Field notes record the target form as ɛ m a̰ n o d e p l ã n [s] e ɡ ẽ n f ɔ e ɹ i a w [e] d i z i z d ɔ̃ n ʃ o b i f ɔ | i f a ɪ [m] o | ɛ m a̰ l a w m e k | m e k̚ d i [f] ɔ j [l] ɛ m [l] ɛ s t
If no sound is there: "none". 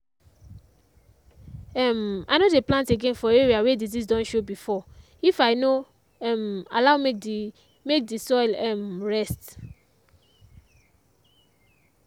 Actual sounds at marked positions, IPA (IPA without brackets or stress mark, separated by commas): t, e, n, s, l, ɹ